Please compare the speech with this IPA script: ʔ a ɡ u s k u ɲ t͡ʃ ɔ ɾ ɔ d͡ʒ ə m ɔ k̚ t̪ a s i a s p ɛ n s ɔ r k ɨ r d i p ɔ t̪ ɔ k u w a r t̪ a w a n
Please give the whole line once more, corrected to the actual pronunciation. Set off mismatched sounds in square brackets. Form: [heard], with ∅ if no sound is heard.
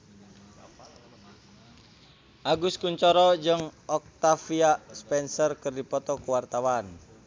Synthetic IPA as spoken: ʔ a ɡ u s k u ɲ t͡ʃ ɔ ɾ ɔ d͡ʒ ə [ŋ] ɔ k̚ t̪ a [f] i a s p ɛ n s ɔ r k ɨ r d i p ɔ t̪ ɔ k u w a r t̪ a w a n